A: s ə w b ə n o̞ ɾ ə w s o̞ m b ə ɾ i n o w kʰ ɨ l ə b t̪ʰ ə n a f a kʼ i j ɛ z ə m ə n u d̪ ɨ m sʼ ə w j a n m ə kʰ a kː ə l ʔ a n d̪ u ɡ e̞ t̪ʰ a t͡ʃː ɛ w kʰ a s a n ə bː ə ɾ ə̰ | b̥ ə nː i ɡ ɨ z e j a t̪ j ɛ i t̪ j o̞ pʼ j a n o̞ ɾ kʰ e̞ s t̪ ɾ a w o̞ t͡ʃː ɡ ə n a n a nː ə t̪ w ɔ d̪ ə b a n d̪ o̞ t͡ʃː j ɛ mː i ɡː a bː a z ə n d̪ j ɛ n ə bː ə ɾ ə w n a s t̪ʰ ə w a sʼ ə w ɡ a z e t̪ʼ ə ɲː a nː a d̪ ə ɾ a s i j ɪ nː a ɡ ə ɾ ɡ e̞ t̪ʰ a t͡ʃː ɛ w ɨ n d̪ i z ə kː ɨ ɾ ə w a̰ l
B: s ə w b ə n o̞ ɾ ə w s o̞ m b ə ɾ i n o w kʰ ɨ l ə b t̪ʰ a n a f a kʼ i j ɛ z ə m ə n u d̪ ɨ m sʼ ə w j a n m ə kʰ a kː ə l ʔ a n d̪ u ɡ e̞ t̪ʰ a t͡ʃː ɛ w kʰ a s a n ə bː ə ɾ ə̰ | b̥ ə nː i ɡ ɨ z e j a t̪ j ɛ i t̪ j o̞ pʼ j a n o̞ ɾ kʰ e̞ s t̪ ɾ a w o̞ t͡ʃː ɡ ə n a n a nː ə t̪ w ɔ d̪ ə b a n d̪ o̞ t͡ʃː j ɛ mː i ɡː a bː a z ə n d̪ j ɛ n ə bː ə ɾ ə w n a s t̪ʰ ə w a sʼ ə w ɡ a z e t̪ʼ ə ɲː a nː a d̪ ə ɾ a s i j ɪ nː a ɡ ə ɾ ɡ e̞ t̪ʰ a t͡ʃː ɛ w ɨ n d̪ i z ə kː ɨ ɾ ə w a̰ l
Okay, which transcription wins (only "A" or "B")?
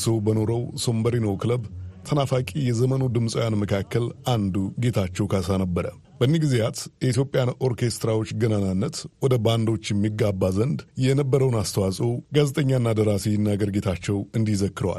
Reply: A